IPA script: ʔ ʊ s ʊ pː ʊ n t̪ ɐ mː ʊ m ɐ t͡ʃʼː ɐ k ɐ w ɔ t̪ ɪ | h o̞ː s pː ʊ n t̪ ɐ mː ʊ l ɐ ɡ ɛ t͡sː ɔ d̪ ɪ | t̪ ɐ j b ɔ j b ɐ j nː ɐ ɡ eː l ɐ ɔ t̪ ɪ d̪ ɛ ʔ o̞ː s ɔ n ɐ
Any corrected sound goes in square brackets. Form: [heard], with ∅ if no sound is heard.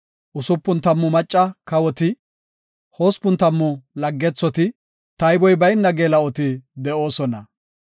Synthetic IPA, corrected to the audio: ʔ ʊ s ʊ pː ʊ n t̪ ɐ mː ʊ m ɐ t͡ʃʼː ɐ k ɐ w ɔ t̪ ɪ | h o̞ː s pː ʊ n t̪ ɐ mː ʊ l ɐ [ɡː] ɛ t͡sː ɔ [t̪] ɪ | t̪ ɐ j b ɔ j b ɐ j nː ɐ ɡ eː l ɐ ɔ t̪ ɪ d̪ ɛ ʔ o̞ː s ɔ n ɐ